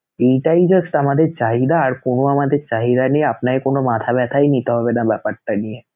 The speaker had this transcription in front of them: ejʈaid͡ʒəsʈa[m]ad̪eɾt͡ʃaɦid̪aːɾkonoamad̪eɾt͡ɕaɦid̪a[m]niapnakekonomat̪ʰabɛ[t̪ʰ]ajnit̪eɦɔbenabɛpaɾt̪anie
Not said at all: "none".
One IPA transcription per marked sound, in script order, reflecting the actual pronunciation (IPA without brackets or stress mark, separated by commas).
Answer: m, none, t̪ʰ